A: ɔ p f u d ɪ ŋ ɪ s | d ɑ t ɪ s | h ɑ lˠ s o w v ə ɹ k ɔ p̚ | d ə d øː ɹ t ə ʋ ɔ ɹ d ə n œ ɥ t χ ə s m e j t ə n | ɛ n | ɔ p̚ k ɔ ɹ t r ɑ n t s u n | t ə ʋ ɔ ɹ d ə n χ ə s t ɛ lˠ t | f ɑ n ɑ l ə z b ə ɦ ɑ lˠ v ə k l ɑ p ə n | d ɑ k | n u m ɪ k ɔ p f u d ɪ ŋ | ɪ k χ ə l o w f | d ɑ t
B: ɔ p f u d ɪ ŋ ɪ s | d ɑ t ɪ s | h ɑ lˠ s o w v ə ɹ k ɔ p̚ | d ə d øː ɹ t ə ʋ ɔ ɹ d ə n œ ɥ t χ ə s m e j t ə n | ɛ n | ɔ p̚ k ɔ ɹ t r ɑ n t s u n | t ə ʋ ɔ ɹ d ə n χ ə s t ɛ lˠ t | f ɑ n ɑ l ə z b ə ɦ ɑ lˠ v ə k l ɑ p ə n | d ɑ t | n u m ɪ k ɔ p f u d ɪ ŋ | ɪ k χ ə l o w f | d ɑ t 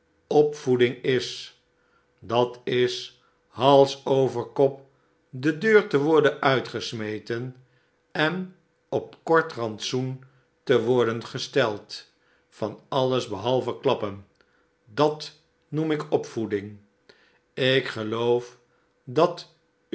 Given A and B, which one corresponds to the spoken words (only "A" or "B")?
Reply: B